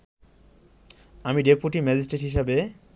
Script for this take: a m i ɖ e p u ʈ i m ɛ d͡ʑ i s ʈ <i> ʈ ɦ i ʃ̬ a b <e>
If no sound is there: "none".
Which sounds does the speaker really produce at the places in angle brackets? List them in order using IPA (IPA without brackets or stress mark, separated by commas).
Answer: e, e